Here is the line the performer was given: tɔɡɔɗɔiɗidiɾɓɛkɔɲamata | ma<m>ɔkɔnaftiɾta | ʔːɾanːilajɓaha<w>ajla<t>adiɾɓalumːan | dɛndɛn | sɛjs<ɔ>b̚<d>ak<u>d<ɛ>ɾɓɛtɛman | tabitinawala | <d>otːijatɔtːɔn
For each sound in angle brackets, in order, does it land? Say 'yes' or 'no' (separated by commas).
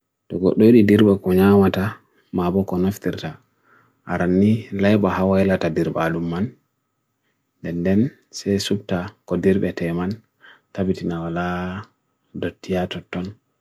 no, yes, yes, no, no, no, no, yes